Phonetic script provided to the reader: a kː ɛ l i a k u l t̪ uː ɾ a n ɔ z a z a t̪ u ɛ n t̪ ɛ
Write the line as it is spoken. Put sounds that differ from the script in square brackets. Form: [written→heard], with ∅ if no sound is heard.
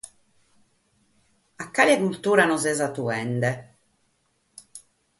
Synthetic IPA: a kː [ɛ→a] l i a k u l t̪ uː ɾ a n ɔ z [a→ɛ] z a t̪ u ɛ n [t̪→d̪] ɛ